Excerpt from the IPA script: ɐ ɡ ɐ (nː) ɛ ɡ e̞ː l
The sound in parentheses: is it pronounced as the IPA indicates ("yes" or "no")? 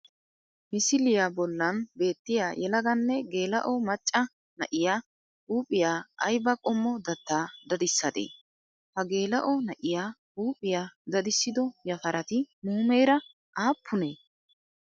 yes